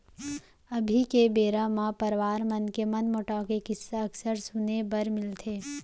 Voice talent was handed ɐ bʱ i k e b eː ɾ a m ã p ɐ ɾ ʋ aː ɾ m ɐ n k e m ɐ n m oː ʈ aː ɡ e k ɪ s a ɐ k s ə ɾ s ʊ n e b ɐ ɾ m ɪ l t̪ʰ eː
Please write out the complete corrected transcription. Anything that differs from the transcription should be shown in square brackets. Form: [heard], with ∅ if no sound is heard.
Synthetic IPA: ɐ bʱ i k e b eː ɾ a m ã p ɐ ɾ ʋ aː ɾ m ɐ n k e m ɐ n m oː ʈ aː [k] e k ɪ s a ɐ k s ə ɾ s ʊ n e b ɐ ɾ m ɪ l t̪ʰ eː